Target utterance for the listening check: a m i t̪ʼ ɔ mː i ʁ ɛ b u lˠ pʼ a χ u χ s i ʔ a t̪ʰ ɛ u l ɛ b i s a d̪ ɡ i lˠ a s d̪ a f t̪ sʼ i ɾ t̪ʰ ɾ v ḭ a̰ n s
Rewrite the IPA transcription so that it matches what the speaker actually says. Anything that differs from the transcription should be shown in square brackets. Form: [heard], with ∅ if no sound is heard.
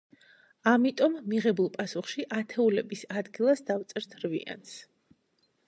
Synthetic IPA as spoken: a m i t̪ʼ ɔ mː i ʁ ɛ b u lˠ pʼ a [s] u χ [ʃ] i ʔ a t̪ʰ ɛ u l ɛ b i s a d̪ ɡ i lˠ a s d̪ a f t̪ sʼ [ɛ] ɾ t̪ʰ ɾ v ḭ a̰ n s